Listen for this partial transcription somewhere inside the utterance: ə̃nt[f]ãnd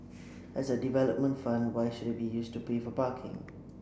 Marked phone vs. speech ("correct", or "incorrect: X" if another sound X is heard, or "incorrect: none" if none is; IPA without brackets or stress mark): correct